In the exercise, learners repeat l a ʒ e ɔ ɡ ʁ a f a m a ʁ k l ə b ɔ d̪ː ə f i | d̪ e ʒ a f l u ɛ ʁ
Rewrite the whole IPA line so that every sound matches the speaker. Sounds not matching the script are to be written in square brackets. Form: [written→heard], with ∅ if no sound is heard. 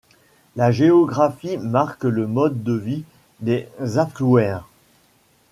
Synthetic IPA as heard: l a ʒ e ɔ ɡ ʁ a f [a→i] m a ʁ k l ə [b→m] ɔ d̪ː ə [f→v] i | d̪ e [ʒ→z] a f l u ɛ ʁ